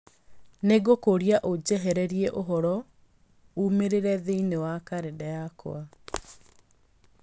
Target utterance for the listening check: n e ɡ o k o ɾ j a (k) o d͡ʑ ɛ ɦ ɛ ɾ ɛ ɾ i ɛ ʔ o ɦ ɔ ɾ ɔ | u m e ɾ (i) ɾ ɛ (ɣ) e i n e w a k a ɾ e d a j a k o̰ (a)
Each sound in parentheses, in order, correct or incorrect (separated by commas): incorrect, incorrect, incorrect, correct